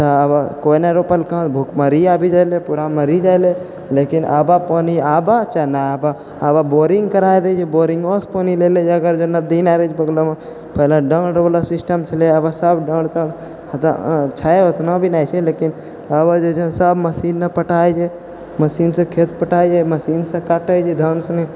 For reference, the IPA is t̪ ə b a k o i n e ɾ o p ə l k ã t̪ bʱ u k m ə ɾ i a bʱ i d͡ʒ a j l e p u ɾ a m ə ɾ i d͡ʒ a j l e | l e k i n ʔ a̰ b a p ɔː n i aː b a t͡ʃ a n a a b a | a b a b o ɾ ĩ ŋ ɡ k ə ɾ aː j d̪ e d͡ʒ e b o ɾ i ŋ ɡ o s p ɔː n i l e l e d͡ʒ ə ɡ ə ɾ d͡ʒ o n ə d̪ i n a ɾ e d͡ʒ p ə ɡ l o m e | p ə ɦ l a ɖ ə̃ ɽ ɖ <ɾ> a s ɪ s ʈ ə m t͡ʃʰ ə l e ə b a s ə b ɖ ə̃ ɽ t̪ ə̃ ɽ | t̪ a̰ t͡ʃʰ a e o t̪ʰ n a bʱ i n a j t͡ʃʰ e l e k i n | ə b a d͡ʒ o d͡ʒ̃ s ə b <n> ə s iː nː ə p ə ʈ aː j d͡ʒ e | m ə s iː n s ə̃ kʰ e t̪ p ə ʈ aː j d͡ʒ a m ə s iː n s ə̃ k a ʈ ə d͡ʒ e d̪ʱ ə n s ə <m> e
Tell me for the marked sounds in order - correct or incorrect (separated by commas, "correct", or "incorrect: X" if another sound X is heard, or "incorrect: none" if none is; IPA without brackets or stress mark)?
incorrect: l, incorrect: m, incorrect: n